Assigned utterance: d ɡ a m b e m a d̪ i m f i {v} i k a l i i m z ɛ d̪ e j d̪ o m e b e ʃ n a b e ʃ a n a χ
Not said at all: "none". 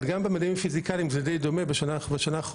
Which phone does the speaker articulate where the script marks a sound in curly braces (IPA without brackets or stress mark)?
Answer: z